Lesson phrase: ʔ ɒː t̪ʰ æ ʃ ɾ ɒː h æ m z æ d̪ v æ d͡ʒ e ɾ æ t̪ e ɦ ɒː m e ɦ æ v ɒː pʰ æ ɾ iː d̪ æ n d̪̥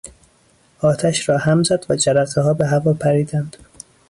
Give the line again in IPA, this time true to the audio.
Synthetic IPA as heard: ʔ ɒː t̪ʰ æ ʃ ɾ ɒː h æ m z æ d̪ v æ d͡ʒ æ ɾ æ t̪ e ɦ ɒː b e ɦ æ v ɒː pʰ æ ɾ iː d̪ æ n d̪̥

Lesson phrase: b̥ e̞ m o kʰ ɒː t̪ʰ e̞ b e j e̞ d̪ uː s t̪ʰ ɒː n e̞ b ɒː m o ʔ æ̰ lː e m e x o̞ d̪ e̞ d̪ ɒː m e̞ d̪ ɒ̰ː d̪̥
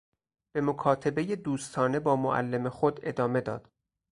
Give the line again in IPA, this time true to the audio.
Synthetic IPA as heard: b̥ e̞ m o kʰ ɒː t̪ʰ e̞ b e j e̞ d̪ uː s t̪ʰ ɒː n e̞ b ɒː m o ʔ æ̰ lː e m e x o̞ d̪ e̞ d̪ ɒː m e̞ d̪ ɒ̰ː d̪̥

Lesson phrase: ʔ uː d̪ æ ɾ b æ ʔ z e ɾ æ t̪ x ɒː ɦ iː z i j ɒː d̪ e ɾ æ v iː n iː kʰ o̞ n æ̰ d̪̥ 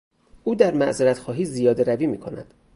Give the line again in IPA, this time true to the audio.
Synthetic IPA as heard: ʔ uː d̪ æ ɾ m æ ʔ z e ɾ æ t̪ x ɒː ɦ iː z i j ɒː d̪ e ɾ æ v iː m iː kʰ o̞ n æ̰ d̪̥

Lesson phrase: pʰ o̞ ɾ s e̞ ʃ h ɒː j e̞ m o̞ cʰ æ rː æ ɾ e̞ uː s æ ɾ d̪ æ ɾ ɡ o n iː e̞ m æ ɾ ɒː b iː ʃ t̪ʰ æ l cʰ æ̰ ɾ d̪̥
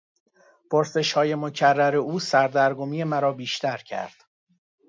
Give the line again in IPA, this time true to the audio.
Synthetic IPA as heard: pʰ o̞ ɾ s e̞ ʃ h ɒː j e̞ m o̞ cʰ æ rː æ ɾ e̞ uː s æ ɾ d̪ æ ɾ ɡ o m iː e̞ m æ ɾ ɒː b iː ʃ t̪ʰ æ ɾ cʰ æ̰ ɾ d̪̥

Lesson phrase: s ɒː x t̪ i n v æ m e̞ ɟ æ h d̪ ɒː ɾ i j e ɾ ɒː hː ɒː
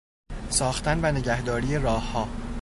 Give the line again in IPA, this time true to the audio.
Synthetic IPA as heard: s ɒː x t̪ æ n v æ n e̞ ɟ æ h d̪ ɒː ɾ i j e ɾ ɒː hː ɒː

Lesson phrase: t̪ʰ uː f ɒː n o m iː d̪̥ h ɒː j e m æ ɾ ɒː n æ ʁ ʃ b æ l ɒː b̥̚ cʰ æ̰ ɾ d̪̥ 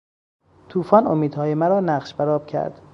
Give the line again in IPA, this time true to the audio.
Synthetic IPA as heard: t̪ʰ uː f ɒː n o m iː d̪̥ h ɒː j e m æ ɾ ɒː n æ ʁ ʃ b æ ɾ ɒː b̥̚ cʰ æ̰ ɾ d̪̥

